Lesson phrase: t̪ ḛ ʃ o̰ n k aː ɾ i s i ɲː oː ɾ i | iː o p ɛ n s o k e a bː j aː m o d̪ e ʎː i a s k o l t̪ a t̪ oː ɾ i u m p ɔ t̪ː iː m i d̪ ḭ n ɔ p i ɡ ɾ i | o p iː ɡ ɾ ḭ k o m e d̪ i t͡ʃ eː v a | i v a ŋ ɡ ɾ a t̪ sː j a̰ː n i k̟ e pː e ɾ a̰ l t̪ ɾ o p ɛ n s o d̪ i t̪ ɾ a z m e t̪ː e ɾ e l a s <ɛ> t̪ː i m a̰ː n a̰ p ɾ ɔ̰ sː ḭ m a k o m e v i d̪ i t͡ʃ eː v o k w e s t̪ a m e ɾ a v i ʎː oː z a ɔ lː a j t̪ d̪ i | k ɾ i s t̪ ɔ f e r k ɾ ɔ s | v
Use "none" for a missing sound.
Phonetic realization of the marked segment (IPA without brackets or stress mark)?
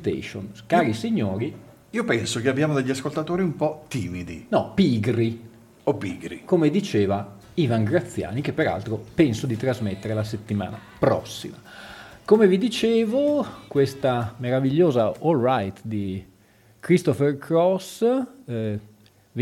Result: e